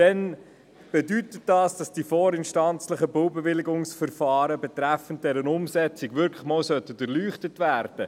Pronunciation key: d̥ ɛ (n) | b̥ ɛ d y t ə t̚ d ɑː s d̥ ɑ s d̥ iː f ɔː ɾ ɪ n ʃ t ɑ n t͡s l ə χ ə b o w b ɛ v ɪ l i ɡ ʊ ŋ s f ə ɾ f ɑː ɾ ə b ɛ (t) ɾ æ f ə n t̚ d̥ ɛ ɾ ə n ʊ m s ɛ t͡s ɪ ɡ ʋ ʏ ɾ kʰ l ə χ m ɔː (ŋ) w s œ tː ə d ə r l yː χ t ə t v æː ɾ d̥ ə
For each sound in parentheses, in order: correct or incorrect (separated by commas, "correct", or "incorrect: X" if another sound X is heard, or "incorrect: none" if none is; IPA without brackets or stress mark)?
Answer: correct, correct, incorrect: none